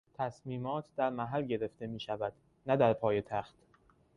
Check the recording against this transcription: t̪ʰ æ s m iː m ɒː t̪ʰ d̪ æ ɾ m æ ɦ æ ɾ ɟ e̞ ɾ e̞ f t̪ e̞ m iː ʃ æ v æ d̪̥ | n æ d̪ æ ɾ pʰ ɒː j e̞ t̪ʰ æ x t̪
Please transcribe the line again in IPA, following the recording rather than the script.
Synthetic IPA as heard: t̪ʰ æ s m iː m ɒː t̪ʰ d̪ æ ɾ m æ ɦ æ l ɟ e̞ ɾ e̞ f t̪ e̞ m iː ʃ æ v æ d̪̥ | n æ d̪ æ ɾ pʰ ɒː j e̞ t̪ʰ æ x t̪